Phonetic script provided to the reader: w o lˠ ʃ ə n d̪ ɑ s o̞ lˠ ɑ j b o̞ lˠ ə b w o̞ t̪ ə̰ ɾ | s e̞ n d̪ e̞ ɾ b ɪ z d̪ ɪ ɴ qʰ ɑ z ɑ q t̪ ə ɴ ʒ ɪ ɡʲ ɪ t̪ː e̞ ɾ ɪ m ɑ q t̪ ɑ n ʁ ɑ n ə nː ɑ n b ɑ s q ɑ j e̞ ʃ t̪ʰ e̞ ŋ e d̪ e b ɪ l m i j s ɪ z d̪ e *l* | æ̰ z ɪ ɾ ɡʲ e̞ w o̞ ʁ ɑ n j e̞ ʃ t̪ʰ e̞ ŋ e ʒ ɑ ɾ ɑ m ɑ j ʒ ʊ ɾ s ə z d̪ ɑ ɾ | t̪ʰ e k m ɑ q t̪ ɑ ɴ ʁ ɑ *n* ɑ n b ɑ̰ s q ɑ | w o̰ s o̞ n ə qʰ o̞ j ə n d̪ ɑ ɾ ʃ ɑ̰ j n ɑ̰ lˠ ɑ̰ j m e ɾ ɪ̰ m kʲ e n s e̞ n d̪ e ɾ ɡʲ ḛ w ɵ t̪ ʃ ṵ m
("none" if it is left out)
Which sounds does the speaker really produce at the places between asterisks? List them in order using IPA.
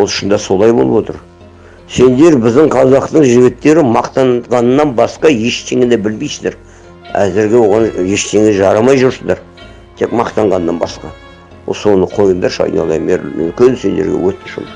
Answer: ɾ, nː

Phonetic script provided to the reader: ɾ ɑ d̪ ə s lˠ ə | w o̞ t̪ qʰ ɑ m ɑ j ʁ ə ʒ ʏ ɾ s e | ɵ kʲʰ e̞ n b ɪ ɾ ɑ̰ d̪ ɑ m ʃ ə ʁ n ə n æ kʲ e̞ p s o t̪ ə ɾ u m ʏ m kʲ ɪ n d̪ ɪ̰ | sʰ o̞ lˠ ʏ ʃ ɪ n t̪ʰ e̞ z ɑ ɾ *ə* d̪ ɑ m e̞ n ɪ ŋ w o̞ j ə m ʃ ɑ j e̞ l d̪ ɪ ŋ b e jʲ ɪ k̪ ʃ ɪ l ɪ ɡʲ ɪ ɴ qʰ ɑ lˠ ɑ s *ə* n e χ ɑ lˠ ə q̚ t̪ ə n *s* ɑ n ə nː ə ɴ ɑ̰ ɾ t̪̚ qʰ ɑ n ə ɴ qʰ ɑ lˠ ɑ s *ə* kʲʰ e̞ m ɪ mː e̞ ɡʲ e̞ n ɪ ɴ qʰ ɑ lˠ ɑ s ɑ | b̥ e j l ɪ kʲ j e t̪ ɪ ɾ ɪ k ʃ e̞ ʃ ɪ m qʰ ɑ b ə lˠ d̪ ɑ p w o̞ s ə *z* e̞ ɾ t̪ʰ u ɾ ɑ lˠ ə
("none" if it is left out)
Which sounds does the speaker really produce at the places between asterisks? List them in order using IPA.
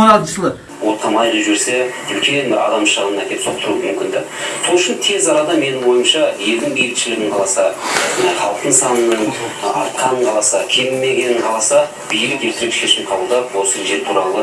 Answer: ɑ, ɑ, s, ɑ, ʒ

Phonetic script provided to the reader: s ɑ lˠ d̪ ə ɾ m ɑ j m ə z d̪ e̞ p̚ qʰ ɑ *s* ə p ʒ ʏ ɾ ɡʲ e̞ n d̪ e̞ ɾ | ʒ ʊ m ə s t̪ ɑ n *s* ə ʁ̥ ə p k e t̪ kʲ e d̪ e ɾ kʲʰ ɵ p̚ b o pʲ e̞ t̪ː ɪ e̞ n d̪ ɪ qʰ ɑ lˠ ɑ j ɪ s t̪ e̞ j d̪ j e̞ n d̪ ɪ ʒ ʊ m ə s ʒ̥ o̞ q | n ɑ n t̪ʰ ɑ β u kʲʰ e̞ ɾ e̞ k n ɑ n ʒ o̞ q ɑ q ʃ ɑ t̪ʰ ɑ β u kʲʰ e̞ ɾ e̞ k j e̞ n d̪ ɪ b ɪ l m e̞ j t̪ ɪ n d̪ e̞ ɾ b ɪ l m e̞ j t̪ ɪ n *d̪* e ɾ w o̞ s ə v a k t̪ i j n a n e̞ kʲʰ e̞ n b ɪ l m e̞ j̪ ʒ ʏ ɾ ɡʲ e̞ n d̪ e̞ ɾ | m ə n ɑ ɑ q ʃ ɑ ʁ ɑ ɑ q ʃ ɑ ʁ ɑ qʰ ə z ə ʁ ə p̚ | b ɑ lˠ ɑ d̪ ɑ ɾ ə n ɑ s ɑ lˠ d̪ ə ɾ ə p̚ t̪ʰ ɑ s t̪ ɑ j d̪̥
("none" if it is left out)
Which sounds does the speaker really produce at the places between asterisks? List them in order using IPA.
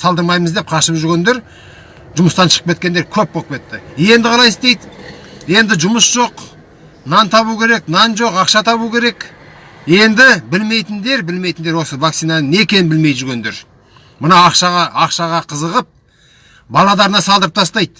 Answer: ʃ, ʃ, d̪

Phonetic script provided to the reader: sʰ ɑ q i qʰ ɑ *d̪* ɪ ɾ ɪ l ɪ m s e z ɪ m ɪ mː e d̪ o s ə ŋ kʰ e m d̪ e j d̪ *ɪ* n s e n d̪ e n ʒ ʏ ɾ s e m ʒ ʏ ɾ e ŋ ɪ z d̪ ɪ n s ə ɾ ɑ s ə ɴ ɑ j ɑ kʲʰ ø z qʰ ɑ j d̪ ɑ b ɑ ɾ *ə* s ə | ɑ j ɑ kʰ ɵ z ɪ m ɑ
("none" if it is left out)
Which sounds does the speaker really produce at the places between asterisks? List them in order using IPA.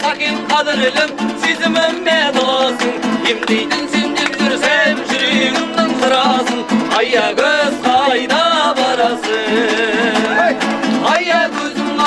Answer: d̪, ɪ, ɑ

